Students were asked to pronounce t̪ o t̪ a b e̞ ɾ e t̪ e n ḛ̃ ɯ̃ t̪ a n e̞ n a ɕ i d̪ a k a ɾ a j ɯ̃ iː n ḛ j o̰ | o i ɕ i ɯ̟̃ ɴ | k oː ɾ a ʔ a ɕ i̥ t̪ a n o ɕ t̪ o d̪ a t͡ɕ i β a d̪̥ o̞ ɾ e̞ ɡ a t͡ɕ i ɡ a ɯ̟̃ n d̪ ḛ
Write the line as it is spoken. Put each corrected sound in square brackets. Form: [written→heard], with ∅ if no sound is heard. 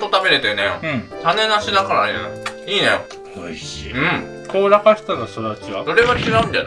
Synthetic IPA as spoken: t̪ o t̪ a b e̞ ɾ e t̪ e n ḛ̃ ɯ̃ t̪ a n e̞ n a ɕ i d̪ a k a ɾ a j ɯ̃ iː n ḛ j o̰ | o i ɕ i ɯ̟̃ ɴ | k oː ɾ a [ʔ→k] a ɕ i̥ t̪ a n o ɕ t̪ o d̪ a t͡ɕ i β a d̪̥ o̞ ɾ e̞ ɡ a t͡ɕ i ɡ a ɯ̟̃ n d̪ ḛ